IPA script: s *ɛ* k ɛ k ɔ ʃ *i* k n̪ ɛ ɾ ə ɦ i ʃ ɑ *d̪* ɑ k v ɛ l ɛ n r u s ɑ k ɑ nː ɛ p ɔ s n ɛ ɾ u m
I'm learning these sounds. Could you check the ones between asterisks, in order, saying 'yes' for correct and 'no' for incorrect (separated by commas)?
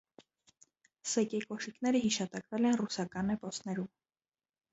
yes, yes, no